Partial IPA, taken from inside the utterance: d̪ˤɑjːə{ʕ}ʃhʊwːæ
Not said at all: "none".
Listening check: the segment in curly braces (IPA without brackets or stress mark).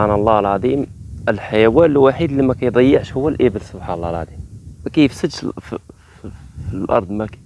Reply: ʕ